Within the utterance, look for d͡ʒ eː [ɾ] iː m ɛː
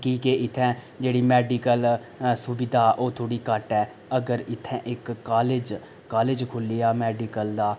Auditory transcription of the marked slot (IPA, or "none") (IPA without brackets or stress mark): ɽ